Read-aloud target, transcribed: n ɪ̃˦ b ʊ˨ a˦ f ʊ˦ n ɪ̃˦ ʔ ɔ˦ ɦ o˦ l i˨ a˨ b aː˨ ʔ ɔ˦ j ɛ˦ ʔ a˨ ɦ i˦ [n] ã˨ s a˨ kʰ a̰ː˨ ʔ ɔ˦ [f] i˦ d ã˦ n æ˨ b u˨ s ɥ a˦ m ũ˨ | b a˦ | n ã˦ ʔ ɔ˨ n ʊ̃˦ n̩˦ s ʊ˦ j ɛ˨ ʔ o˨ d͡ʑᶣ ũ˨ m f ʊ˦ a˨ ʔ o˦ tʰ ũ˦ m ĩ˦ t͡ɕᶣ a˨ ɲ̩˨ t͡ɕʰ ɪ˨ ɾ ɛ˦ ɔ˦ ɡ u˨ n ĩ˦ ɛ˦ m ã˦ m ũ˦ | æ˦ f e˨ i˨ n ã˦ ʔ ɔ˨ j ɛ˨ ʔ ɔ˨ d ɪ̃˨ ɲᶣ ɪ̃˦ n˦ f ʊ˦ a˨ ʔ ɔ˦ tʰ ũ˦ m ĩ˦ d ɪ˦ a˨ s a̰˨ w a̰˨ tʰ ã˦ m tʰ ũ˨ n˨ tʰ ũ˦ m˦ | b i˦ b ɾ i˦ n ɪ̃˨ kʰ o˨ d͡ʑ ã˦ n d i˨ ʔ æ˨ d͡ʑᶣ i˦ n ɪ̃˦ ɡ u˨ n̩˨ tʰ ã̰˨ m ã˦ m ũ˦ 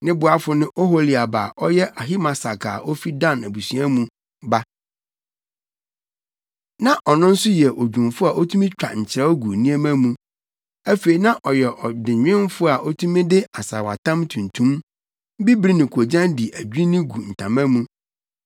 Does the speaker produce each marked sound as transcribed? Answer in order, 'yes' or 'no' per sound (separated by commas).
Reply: no, yes